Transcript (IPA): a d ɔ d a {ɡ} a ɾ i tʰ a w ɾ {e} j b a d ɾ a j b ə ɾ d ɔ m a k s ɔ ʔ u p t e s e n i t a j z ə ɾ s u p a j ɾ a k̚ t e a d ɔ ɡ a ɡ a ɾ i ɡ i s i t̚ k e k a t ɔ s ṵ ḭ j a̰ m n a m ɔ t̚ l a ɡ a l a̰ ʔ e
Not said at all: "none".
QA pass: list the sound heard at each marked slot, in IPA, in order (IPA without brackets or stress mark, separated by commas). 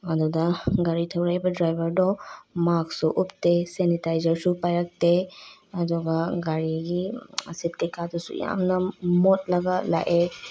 ɡ, a